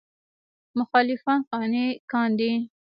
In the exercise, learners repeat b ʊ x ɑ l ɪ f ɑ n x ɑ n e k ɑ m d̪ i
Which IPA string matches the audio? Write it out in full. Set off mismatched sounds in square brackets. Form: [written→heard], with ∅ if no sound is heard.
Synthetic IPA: [b→m] ʊ x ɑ l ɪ f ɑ n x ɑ n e k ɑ [m→n] d̪ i

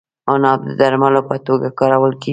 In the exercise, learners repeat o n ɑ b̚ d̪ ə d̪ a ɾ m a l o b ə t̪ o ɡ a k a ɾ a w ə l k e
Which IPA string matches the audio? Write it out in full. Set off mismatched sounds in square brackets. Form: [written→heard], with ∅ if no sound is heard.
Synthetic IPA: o n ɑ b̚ d̪ ə d̪ a ɾ m a l o [b→p] ə t̪ o ɡ a k [a→ɑ] ɾ a w ə l k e

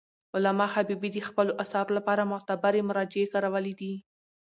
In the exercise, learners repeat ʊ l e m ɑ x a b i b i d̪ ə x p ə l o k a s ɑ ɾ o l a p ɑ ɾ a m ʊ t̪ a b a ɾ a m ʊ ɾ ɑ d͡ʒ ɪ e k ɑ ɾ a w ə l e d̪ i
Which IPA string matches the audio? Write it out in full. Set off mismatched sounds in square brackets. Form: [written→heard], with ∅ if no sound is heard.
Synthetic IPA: ʊ l [e→a] m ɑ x a b i b i d̪ ə x p ə l o [k→ʔ] a s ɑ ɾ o l a p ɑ ɾ a m ʊ t̪ a b a ɾ [a→e] m ʊ ɾ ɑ d͡ʒ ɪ e k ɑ ɾ a w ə l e d̪ i

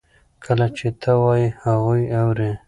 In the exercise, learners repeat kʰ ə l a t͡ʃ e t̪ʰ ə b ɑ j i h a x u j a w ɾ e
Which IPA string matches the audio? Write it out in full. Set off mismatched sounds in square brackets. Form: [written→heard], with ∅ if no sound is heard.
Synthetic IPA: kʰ ə l a t͡ʃ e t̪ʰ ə [b→w] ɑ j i h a [x→ɣ] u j a w ɾ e

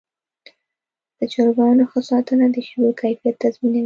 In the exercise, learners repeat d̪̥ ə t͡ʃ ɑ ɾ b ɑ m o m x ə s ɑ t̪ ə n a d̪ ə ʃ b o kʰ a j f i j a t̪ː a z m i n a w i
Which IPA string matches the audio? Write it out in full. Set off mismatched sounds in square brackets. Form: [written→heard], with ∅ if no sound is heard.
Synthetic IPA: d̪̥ ə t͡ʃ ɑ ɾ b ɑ [m→n] o [m→∅] x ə s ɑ t̪ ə n a d̪ ə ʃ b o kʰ a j f i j a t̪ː a z m i n a w i

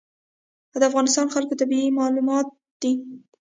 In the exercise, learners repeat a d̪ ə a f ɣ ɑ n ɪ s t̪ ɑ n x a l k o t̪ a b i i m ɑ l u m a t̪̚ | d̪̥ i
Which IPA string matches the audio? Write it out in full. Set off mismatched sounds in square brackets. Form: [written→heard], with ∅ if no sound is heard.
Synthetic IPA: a d̪ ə a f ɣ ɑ n ɪ s t̪ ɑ n x a l k o t̪ a b i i m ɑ l u m [a→ɑ] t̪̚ | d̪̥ i

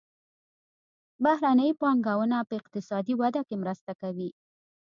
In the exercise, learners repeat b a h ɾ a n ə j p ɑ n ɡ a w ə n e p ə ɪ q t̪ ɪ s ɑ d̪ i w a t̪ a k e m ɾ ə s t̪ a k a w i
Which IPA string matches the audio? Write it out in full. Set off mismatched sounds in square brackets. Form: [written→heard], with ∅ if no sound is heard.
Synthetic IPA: b a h ɾ a n ə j p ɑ [n→ŋ] ɡ a w ə n [e→a] p ə ɪ q t̪ ɪ s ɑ d̪ i w a [t̪→d̪] a k e m ɾ ə s t̪ a k a w i

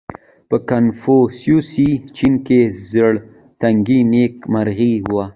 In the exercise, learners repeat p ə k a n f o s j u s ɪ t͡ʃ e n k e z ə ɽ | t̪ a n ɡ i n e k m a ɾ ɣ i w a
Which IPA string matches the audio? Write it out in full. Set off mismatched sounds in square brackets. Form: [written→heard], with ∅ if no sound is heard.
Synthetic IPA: p ə k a n f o s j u s [ɪ→i] t͡ʃ [e→i] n k e z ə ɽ | t̪ a [n→ŋ] ɡ i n e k m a ɾ ɣ i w a

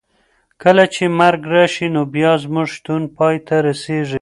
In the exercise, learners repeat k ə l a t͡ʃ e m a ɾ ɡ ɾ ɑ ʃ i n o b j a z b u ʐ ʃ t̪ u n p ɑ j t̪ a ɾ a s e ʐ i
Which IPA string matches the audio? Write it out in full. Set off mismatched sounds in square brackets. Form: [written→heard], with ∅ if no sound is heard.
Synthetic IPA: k ə l a t͡ʃ e m a ɾ ɡ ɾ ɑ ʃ i n o b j [a→ɑ] z [b→m] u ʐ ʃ t̪ u n p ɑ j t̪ a ɾ a s e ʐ i

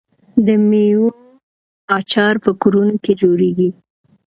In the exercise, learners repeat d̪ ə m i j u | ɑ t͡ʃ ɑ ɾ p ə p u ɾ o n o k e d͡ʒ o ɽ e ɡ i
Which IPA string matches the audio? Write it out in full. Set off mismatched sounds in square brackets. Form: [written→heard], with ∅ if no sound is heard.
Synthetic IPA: d̪ ə m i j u | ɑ t͡ʃ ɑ ɾ p ə [p→k] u ɾ [o→u] n o k e d͡ʒ o [ɽ→ɾ] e ɡ i

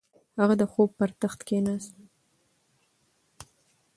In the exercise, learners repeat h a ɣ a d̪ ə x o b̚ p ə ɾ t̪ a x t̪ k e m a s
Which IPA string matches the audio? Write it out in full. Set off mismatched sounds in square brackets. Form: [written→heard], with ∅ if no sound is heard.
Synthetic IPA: h a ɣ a d̪ ə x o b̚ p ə ɾ t̪ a x t̪ k e [m→n] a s

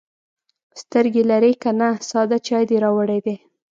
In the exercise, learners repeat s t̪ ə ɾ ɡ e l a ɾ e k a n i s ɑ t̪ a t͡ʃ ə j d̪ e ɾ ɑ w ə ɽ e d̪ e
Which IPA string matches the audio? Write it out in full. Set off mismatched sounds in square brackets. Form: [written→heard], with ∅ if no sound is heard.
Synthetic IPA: s t̪ ə ɾ ɡ e l a ɾ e k a n [i→a] s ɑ [t̪→d̪] a t͡ʃ [ə→ɑ] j d̪ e ɾ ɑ w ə ɽ e d̪ e

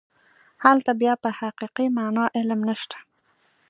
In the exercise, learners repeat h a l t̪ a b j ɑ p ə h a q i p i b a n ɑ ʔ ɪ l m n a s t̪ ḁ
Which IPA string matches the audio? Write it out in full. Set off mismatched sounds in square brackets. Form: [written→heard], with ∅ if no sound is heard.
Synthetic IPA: h a l t̪ a b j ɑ p ə h a q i [p→q] i [b→m] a n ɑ ʔ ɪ l m n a [s→ʃ] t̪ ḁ

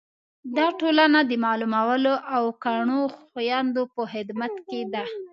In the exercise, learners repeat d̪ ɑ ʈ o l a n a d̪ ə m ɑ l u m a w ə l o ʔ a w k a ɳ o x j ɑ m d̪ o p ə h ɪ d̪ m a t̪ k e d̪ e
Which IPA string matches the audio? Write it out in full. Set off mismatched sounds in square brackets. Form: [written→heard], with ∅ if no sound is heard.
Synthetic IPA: d̪ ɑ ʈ o l a n a d̪ ə m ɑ l u m a w ə l o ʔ a w k a ɳ o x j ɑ [m→n] d̪ o p ə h ɪ d̪ m a t̪ k e d̪ [e→a]

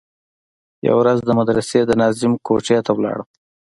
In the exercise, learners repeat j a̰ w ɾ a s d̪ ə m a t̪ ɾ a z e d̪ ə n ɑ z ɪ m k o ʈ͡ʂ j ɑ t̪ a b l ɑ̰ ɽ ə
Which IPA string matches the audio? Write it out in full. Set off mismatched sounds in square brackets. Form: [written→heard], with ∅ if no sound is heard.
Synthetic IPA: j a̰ w ɾ a [s→z] d̪ ə m a [t̪→d̪] ɾ a [z→s] e d̪ ə n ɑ z ɪ m k o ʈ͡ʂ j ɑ t̪ a [b→w] l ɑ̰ ɽ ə

